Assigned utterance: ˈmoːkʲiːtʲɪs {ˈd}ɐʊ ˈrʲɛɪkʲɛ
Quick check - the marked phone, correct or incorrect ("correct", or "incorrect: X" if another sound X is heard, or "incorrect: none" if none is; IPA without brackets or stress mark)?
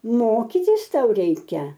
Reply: incorrect: t